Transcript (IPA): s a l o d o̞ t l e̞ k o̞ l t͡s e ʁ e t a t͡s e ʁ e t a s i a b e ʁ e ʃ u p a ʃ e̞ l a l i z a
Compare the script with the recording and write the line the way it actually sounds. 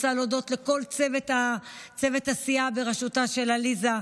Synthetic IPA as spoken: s a l o d o̞ t l e̞ k o̞ l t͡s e v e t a t͡s e v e t a s i a b e ʁ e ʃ u t a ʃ e̞ l a l i z a